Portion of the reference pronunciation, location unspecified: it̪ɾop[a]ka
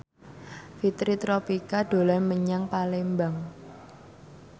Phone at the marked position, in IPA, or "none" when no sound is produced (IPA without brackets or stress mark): i